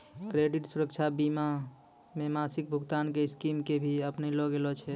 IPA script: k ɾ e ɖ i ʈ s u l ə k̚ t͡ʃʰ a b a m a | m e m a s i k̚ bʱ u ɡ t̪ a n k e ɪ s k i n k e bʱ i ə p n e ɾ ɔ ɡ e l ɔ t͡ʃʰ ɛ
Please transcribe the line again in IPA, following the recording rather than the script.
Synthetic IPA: k ɾ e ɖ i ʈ s u ɾ ə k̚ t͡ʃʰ a b i m a | m e m a s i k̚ bʱ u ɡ t̪ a n k e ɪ s k i m k e bʱ i ə p n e l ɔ ɡ e l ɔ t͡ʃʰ ɛ